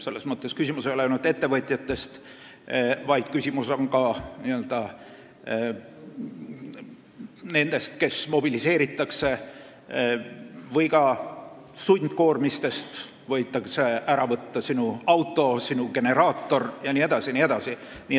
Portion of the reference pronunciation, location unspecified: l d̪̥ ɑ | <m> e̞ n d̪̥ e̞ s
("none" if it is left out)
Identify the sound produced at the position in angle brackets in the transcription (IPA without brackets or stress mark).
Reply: n